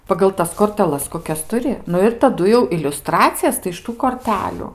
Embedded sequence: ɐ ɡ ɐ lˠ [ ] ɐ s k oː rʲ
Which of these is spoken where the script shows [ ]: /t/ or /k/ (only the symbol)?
t